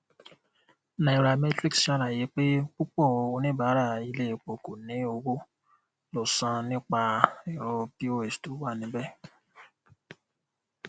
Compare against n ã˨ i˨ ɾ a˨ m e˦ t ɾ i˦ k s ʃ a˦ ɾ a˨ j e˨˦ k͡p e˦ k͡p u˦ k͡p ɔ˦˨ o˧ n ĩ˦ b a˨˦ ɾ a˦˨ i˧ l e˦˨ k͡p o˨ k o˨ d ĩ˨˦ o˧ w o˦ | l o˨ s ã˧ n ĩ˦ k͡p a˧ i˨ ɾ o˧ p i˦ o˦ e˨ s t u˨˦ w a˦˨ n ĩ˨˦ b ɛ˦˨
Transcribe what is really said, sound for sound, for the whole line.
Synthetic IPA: n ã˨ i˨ ɾ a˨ m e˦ t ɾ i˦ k s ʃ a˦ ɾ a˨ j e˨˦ k͡p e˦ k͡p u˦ k͡p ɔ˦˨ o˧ n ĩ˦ b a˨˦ ɾ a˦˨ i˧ l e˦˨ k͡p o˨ k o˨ n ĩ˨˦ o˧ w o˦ | l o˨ s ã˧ n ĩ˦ k͡p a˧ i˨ ɾ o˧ p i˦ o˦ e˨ s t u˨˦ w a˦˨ n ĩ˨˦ b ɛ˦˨